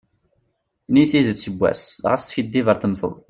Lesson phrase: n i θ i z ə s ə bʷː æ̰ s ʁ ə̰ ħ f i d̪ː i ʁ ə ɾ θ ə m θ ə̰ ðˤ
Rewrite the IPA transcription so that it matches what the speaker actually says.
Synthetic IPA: n i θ i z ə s ə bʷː æ̰ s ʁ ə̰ s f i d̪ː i v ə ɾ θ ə m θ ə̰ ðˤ